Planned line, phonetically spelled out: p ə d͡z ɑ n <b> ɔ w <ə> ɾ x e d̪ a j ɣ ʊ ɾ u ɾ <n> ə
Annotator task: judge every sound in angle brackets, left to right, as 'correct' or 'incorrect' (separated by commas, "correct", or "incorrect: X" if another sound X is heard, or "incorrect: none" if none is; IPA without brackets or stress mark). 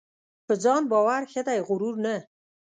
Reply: correct, incorrect: a, correct